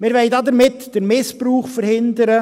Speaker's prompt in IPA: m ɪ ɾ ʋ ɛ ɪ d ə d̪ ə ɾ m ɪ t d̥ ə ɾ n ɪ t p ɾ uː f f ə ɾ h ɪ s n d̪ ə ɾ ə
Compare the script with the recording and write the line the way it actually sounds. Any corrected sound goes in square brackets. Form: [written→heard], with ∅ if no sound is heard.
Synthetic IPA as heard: m ɪ ɾ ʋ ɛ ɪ d [ə→ɑ] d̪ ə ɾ m ɪ t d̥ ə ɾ [n→m] ɪ [t→s] p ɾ uː [f→χ] f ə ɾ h ɪ [s→∅] n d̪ ə ɾ ə